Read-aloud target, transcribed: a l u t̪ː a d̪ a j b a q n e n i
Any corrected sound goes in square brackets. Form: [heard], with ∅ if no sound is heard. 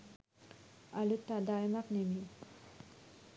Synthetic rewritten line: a l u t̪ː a d̪ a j [m] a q n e [m] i